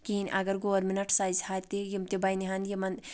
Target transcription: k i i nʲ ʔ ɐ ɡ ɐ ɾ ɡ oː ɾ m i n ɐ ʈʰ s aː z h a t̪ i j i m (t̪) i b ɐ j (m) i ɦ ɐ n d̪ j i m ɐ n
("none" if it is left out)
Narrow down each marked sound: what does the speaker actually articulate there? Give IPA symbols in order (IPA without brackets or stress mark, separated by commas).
t̪, n